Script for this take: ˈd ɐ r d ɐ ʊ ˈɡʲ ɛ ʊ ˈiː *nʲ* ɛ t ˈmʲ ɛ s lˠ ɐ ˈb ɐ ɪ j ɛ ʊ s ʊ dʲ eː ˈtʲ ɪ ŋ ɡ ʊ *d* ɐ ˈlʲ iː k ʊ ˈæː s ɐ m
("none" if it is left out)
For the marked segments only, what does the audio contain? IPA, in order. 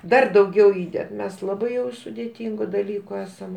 dʲ, d

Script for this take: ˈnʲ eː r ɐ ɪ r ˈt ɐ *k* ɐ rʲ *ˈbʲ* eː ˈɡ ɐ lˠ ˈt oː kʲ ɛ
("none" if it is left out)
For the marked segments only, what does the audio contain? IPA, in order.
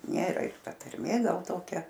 t, mʲ

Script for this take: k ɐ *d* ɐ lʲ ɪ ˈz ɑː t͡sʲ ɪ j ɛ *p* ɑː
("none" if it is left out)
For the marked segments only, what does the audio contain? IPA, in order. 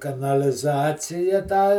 n, t

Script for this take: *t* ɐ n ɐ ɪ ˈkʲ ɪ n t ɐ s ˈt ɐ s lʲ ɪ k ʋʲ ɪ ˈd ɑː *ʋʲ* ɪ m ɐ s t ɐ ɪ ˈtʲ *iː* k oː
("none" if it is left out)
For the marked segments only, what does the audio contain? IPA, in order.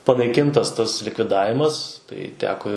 p, ʋʲ, æː

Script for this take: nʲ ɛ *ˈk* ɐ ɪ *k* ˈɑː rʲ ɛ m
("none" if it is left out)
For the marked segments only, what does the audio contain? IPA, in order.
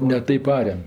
t, p

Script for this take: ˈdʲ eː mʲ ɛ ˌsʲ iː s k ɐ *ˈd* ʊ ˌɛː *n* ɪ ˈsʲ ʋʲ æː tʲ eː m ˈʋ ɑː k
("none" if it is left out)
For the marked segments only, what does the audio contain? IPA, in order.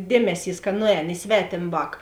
n, n

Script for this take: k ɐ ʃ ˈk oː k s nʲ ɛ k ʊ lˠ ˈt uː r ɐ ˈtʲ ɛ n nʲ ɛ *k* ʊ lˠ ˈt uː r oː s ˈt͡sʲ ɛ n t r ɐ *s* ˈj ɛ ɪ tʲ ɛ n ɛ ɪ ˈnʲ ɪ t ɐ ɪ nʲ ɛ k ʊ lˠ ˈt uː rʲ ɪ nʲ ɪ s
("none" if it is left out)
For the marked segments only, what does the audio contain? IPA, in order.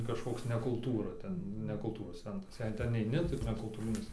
k, s

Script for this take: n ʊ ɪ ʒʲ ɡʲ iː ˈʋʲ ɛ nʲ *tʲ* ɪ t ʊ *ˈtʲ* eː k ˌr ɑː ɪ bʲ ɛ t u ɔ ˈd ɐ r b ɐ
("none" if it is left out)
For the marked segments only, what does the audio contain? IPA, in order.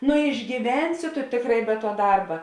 sʲ, tʲ

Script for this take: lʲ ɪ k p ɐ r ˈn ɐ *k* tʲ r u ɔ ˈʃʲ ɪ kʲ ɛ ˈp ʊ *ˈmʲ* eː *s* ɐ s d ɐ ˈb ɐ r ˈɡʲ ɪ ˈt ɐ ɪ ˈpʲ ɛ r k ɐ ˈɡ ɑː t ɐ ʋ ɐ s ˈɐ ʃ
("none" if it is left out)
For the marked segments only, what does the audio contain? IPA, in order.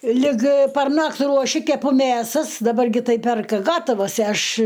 k, mʲ, s

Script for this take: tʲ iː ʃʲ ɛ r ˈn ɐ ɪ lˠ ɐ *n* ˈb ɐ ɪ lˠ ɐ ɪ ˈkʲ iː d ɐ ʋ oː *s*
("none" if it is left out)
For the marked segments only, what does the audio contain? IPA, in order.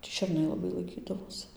none, s

